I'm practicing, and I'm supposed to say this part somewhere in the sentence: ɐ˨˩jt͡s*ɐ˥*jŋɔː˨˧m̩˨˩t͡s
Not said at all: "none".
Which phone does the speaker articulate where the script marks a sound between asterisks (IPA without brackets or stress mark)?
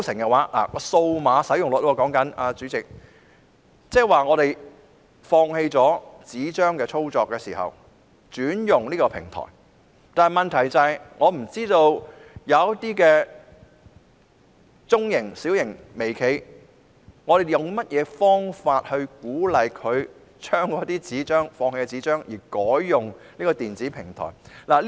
ɐ˨